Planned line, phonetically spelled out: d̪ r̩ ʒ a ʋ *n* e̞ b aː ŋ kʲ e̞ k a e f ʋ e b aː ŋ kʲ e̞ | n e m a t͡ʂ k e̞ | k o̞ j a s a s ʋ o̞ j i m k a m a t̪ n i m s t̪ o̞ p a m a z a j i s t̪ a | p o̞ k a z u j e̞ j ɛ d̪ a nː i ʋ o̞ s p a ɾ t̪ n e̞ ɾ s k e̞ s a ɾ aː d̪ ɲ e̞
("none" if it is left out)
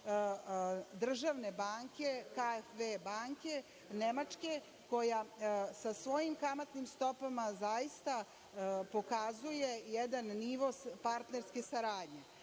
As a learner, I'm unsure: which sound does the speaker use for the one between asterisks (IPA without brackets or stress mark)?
n